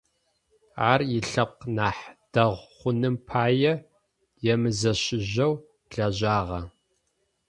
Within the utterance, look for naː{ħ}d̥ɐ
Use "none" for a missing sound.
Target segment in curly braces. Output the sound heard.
ħ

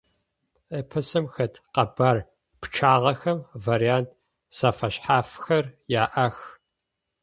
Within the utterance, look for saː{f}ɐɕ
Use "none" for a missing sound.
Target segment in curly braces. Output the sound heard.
f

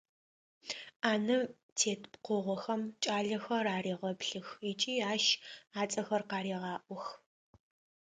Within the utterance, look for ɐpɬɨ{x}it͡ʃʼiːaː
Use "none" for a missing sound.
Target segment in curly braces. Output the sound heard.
x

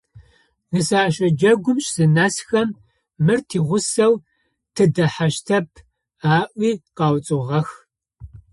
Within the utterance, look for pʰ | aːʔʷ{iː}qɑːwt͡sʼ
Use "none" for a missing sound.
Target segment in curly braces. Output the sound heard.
iː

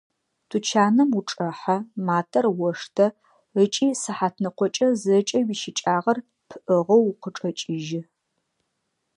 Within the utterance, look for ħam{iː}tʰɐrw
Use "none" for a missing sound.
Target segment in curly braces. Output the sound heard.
aː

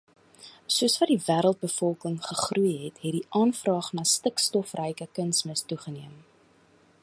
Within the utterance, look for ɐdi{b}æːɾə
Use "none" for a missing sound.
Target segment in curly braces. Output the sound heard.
v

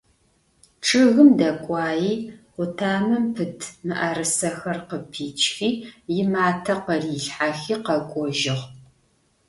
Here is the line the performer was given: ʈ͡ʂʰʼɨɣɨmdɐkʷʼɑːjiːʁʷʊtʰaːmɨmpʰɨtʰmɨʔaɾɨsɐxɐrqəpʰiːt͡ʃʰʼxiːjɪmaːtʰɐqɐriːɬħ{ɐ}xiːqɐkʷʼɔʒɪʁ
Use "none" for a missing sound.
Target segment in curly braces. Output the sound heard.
a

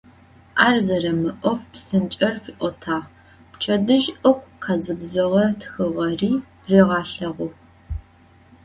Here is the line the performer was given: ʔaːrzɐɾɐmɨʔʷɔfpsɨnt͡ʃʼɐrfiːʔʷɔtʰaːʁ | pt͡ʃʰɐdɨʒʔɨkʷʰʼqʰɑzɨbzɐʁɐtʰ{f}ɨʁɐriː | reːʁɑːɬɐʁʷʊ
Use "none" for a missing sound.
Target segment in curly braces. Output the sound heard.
x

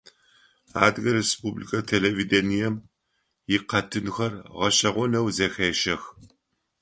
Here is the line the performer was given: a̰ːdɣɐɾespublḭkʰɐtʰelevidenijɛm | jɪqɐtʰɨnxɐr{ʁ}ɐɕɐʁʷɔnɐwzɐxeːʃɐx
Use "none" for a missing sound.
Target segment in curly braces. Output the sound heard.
ʁ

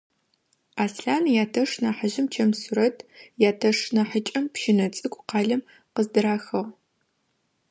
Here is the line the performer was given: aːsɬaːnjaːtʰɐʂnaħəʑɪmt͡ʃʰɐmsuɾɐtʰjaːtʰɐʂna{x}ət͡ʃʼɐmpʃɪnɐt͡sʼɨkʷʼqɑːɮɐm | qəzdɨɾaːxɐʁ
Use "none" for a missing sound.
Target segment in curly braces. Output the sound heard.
ħ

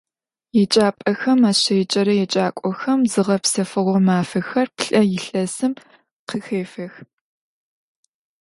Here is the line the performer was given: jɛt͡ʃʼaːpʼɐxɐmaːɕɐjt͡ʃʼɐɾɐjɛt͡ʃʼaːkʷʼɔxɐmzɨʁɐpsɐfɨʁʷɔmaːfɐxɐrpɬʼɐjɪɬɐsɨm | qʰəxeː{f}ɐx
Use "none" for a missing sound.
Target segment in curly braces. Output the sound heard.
f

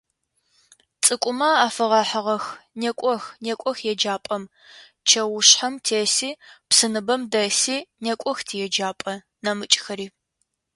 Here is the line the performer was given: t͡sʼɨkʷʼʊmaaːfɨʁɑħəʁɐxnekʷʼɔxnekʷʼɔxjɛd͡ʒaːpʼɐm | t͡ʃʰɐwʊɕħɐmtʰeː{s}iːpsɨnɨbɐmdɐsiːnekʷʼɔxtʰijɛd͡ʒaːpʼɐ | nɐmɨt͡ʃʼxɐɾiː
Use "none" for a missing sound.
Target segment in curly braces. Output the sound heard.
s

